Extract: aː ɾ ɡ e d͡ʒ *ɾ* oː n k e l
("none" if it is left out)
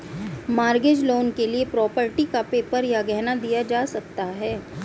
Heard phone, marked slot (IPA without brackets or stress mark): l